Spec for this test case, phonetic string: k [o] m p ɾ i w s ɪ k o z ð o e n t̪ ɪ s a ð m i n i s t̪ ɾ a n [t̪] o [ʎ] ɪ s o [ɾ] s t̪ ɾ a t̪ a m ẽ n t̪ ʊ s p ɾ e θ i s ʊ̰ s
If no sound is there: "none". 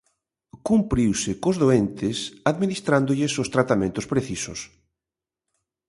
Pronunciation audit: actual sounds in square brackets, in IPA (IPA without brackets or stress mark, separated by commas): u, d̪, ʎ, none